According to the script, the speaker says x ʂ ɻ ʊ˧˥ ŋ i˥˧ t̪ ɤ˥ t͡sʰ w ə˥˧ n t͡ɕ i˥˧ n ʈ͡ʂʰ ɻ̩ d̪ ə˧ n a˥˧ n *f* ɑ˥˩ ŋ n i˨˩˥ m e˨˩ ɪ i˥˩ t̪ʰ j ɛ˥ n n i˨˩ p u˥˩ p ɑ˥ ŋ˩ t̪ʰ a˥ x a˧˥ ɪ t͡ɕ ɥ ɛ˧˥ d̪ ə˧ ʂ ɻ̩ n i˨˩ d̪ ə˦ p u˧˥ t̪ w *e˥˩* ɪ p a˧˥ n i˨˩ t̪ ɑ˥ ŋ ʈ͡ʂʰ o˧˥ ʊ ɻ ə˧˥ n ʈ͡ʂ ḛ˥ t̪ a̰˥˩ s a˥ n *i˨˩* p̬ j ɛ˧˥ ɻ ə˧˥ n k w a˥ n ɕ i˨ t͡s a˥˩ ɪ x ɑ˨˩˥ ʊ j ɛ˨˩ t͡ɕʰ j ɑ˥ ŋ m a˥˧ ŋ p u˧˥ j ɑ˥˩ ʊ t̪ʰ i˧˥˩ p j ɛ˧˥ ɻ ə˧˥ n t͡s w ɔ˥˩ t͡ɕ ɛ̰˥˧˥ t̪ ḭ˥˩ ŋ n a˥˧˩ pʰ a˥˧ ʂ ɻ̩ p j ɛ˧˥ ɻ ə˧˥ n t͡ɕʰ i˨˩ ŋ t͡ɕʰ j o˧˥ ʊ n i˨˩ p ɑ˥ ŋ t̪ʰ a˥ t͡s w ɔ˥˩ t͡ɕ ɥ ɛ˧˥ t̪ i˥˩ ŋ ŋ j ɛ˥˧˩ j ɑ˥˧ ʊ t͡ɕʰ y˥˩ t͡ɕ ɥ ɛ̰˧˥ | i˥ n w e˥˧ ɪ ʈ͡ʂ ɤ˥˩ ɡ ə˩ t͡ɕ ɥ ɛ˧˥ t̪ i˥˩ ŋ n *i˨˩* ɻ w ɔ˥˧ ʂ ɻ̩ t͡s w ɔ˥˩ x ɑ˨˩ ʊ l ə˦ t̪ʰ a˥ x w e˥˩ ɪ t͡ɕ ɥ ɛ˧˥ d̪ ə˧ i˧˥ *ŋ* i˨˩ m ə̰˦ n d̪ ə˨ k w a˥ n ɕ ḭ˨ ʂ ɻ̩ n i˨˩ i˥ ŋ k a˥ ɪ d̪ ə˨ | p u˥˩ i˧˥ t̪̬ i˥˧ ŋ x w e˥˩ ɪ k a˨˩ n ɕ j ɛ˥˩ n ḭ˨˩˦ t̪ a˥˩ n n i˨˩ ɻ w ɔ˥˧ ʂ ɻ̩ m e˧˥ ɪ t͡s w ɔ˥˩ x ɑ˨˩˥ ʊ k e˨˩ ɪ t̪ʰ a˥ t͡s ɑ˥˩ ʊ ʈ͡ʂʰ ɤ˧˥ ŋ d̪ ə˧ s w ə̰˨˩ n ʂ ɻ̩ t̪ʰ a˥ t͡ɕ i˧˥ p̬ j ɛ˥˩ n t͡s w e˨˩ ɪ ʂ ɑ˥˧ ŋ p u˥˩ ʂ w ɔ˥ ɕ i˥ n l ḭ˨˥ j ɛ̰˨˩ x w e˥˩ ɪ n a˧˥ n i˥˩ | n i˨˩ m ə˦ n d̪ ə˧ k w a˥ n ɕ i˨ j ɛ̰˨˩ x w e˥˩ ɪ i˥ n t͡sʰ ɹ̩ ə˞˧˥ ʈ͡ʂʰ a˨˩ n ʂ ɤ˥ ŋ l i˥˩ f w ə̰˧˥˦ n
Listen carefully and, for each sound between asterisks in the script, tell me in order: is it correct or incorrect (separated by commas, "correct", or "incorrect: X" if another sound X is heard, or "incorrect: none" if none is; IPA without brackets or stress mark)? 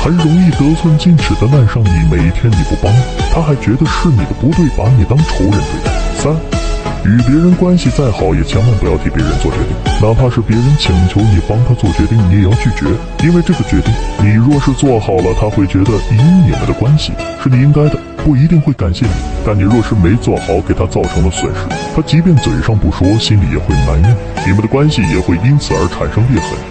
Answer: incorrect: ʂ, correct, incorrect: y˨˩, correct, incorrect: n